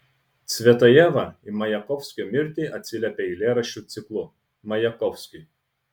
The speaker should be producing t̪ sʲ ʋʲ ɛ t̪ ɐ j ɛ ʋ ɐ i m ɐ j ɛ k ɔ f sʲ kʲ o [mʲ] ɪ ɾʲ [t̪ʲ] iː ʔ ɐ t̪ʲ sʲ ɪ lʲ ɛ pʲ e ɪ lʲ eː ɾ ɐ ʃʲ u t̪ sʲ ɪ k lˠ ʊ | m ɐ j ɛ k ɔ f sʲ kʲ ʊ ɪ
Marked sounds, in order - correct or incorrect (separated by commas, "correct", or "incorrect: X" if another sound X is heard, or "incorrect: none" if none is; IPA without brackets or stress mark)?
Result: correct, correct